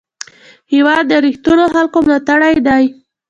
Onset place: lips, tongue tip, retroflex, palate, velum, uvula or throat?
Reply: throat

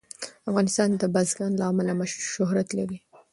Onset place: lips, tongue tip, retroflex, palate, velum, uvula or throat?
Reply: lips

